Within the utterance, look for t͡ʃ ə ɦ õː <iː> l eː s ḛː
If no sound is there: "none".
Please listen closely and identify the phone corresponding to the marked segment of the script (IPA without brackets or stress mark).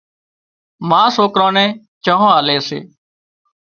aː